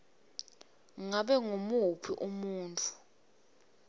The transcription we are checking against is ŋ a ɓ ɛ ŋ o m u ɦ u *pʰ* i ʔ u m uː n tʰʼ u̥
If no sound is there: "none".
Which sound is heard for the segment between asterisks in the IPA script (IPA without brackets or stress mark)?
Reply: pʰ